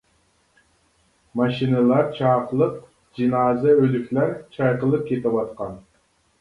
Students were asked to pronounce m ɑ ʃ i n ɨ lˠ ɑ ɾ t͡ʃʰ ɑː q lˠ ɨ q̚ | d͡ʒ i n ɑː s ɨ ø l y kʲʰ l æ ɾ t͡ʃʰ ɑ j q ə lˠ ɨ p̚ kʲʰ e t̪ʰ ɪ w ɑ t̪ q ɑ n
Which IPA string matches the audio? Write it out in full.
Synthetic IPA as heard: m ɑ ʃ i n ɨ lˠ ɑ ɾ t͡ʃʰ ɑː q lˠ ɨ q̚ | d͡ʒ i n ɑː z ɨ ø l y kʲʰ l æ ɾ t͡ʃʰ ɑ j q ə lˠ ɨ p̚ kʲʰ e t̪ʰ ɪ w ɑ t̪ q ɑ n

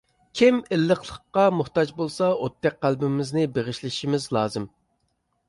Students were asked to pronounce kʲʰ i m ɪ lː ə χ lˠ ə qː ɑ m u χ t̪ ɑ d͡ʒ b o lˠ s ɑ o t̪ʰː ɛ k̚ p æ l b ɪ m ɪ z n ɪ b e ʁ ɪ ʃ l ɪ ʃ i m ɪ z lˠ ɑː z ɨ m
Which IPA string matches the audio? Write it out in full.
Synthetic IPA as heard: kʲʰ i m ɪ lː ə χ lˠ ə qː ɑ m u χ t̪ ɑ d͡ʒ b o lˠ s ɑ o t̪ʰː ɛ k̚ q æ l b ɪ m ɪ z n ɪ b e ʁ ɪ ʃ l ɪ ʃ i m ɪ z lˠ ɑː z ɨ m

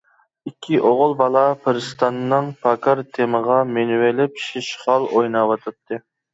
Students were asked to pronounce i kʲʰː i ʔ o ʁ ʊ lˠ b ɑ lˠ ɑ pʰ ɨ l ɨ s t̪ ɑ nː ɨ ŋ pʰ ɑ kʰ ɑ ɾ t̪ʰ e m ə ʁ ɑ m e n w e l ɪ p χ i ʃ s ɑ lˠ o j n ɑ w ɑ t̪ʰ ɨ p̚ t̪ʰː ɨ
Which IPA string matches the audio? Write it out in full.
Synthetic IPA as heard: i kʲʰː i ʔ o ʁ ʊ lˠ b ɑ lˠ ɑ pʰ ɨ ɾ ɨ s t̪ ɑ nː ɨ ŋ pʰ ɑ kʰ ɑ ɾ t̪ʰ e m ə ʁ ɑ m e n w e l ɪ p ʃ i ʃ χ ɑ lˠ o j n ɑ w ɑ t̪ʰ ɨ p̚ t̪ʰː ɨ

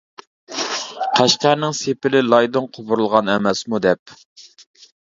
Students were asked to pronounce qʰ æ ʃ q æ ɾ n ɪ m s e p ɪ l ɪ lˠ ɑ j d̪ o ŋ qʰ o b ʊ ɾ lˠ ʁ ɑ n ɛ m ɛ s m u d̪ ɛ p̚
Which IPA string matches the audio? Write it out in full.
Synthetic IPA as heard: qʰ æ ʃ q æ ɾ n ɪ ŋ s e p ɪ l ɪ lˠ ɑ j d̪ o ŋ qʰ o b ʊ ɾ lˠ ʁ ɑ n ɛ m ɛ s m u d̪ ɛ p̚

